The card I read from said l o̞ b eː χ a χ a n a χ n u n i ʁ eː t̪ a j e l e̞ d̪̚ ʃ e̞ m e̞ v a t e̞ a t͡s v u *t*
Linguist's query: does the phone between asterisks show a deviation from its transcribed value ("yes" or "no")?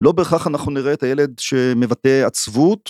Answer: no